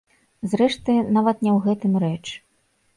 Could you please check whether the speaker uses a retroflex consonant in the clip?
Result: yes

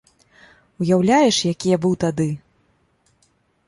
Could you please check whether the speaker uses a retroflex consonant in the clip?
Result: yes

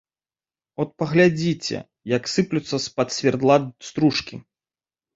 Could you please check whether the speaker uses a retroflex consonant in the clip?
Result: yes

